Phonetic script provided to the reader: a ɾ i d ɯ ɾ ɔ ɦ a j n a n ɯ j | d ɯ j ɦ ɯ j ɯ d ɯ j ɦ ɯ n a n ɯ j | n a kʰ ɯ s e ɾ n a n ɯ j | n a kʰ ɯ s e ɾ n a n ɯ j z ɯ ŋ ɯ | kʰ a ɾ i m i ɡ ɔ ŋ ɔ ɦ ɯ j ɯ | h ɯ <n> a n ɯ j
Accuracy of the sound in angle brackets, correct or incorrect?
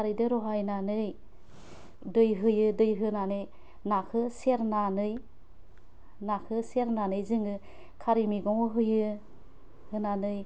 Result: correct